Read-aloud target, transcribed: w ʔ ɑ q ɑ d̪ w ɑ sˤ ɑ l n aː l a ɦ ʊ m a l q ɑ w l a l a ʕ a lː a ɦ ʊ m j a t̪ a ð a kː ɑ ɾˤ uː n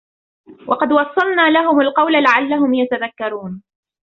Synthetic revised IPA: w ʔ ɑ q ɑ d̪ w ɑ sˤː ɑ l n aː l a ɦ ʊ m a l q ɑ w l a l a ʕ a lː a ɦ ʊ m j a t̪ a ð a kː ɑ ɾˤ uː n